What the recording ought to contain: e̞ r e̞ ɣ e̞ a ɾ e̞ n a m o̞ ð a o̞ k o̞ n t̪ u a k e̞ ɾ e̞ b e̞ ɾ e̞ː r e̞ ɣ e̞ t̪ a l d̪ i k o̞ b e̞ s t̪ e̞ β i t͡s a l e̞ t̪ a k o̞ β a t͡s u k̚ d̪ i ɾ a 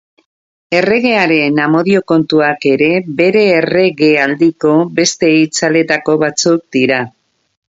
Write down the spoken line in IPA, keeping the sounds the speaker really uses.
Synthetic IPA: e̞ r e̞ ɣ e̞ a ɾ e̞ n a m o̞ ð i o̞ k o̞ n t̪ u a k e̞ ɾ e̞ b e̞ ɾ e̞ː r e̞ ɣ e̞ a l d̪ i k o̞ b e̞ s t̪ e̞ i t͡s a l e̞ t̪ a k o̞ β a t͡s u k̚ d̪ i ɾ a